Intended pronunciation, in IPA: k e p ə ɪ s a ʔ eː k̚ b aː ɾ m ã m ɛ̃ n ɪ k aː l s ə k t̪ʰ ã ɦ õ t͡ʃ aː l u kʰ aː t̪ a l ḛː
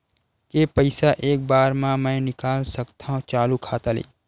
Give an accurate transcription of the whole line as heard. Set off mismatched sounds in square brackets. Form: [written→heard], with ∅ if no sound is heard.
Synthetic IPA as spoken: k e p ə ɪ s a ʔ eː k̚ b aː ɾ m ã m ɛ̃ n ɪ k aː l s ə k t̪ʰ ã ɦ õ t͡ʃ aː l u kʰ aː t̪ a l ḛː